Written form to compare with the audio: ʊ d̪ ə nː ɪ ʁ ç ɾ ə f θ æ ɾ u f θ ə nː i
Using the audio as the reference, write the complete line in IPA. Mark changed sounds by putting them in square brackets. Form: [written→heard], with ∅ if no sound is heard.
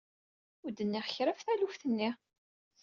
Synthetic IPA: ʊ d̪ ə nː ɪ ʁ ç ɾ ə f θ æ [ɾ→l] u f θ ə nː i